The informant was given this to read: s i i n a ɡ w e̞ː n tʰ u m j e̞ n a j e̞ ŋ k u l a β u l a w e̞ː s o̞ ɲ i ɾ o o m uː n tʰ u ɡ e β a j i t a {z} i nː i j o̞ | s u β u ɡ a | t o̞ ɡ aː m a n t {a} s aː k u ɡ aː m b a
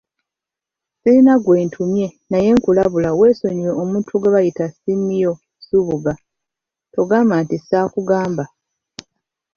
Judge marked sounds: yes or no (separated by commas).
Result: no, no